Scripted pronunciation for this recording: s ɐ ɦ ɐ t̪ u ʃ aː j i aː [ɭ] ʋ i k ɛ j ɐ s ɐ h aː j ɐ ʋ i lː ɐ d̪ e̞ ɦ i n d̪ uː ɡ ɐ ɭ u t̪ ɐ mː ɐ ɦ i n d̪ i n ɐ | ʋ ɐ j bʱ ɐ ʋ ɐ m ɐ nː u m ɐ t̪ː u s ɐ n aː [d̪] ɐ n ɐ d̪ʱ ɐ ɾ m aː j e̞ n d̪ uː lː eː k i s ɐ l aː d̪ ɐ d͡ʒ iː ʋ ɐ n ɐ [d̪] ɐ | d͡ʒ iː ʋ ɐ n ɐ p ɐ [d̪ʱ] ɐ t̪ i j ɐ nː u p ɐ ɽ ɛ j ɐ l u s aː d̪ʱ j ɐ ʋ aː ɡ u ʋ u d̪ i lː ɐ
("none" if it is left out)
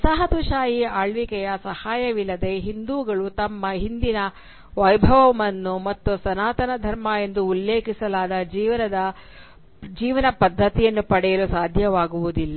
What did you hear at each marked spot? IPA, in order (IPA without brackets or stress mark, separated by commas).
ɭ, t̪, d̪, d̪ʱː